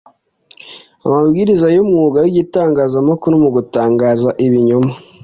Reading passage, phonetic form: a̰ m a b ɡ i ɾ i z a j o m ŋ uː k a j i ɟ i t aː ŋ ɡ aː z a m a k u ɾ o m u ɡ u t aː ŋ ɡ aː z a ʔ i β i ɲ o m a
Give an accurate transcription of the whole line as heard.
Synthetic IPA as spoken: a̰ m a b ɡ i ɾ i z a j o m ŋ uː ɡ a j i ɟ i t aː ŋ ɡ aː z a m a k u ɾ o m u ɡ u t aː ŋ ɡ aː z a ʔ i β i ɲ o m a